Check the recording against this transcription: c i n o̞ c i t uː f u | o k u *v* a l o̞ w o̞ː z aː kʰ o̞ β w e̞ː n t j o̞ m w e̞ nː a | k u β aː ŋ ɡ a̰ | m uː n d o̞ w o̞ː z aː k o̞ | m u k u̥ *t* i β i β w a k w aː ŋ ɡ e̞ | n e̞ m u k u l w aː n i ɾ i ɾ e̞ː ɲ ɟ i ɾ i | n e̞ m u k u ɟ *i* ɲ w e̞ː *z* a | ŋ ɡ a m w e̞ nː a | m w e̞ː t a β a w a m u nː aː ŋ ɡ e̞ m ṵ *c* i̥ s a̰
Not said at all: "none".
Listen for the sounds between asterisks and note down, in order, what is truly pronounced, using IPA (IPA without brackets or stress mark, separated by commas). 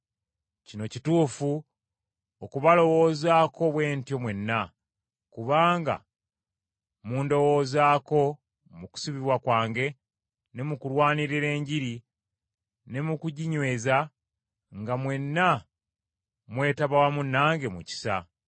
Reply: β, s, i, z, c